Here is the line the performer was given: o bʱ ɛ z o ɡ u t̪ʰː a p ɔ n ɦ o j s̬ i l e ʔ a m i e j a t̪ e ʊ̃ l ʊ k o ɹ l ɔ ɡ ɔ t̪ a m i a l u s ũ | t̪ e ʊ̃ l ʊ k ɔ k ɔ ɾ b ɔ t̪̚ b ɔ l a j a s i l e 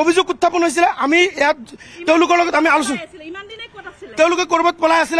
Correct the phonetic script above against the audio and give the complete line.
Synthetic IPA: o bʱ i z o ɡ u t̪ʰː a p ɔ n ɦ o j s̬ i l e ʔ a m i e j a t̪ e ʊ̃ l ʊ k ɔ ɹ l ɔ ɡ ɔ t̪ a m i a l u s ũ | t̪ e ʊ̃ l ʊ k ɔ k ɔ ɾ b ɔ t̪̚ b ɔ l a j a s i l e